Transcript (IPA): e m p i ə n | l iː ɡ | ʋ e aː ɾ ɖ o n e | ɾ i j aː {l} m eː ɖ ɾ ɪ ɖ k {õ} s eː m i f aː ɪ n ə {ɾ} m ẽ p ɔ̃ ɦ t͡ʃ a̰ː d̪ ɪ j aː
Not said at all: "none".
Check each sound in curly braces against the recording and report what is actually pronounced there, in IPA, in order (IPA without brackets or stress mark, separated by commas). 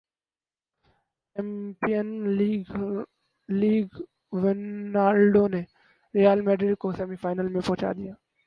l, o, l